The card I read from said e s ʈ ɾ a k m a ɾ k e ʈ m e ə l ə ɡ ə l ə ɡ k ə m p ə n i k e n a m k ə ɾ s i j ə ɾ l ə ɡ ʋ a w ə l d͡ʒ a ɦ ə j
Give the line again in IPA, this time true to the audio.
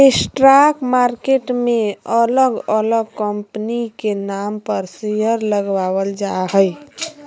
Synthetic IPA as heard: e s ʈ ɾ a k m a ɾ k e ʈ m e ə l ə ɡ ə l ə ɡ k ə m p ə n i k e n a m p ə ɾ s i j ə ɾ l ə ɡ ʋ a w ə l d͡ʒ a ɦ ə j